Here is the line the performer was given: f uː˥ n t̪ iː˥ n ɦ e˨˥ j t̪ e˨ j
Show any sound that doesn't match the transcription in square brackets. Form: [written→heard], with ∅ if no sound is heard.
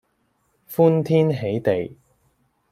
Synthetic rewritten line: f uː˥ n [t̪→t̪ʰ] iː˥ n ɦ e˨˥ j t̪ e˨ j